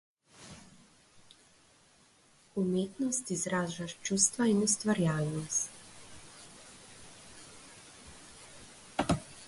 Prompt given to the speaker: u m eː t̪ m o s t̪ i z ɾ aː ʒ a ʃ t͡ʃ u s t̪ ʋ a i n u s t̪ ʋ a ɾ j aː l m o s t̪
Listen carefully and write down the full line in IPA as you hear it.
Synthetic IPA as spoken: u m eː t̪ n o s t̪ i z ɾ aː ʒ a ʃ t͡ʃ u s t̪ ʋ a i n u s t̪ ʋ a ɾ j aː l n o s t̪